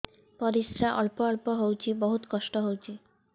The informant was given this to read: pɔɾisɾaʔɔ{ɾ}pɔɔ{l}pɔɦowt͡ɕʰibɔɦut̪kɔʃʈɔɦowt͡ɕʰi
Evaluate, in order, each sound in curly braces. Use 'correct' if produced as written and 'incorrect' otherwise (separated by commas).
incorrect, correct